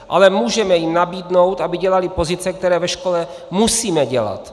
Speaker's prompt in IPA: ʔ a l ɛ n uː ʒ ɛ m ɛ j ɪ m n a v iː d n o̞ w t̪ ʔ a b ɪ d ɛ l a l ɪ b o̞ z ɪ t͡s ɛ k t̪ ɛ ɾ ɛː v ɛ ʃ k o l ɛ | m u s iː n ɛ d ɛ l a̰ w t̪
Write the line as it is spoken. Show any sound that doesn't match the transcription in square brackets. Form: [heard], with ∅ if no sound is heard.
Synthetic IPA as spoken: ʔ a l ɛ [m] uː ʒ ɛ m ɛ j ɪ m n a [b] iː d n o̞ w t̪ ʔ a b ɪ [ɟ] ɛ l a l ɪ [p] o̞ z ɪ t͡s ɛ k t̪ ɛ ɾ ɛː v ɛ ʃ k o l ɛ | m u s iː [m] ɛ [ɟ] ɛ l a̰ [∅] t̪

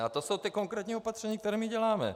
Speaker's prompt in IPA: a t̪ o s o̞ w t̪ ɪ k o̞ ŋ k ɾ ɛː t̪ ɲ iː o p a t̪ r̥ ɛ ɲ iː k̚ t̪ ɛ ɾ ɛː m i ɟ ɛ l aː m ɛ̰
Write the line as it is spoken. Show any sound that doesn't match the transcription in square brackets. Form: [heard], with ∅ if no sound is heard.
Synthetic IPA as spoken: a t̪ o s o̞ w t̪ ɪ k o̞ ŋ k ɾ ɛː t̪ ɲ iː o p a t̪ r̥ ɛ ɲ iː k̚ t̪ ɛ ɾ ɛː m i ɟ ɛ l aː m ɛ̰

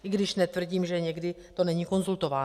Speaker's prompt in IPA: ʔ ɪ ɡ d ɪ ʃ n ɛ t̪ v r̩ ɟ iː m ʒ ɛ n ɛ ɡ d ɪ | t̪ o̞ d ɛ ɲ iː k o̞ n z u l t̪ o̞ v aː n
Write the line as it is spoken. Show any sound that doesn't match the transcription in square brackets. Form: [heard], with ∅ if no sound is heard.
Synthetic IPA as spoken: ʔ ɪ ɡ d ɪ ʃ n ɛ t̪ v r̩ ɟ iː m ʒ ɛ [ɲ] ɛ ɡ d ɪ | t̪ o̞ [n] ɛ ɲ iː k o̞ n z u l t̪ o̞ v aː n

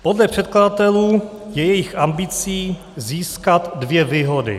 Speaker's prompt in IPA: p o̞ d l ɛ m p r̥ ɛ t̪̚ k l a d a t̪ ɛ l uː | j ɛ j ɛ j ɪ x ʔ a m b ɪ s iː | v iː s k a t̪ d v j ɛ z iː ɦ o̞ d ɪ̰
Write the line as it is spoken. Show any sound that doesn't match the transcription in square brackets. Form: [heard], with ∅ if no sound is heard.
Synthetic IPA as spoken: p o̞ d l ɛ [∅] p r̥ ɛ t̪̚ k l a d a t̪ ɛ l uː | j ɛ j ɛ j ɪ x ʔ a m b ɪ [t͡s] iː | [z] iː s k a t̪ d v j ɛ [v] iː ɦ o̞ d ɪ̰

